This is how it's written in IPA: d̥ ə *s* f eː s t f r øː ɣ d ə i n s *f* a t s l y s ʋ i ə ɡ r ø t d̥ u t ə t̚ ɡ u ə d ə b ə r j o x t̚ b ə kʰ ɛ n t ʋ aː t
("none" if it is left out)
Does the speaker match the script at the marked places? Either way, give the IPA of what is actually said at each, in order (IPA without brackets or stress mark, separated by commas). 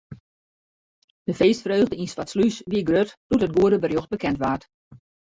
none, f